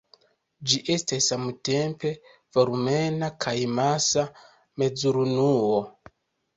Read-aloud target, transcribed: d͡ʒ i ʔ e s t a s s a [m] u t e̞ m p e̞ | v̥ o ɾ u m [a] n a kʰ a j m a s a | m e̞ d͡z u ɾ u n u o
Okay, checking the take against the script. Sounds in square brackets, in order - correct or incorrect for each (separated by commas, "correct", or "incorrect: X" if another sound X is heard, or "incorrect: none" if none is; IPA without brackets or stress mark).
correct, incorrect: e